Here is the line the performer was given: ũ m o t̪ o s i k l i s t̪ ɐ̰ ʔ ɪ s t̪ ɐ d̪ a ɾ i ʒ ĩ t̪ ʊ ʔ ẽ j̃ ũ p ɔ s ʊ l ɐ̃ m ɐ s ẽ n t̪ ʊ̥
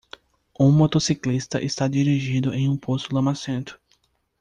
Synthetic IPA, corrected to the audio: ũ m o t̪ o s i k l i s t̪ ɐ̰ ʔ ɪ s t̪ a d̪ i ɾ i ʒ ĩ d̪ ʊ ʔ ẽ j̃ ũ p o s ʊ l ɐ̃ m a s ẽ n t̪ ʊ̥